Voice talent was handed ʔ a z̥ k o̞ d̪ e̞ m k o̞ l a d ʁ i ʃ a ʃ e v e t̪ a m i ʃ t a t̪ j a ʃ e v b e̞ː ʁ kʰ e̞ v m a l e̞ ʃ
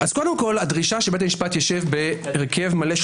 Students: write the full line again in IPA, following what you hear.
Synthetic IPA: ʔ a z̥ k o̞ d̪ e̞ m k o̞ l a d ʁ i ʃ a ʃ e b e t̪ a m i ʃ p a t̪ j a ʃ e v b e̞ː ʁ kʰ e̞ v m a l e̞ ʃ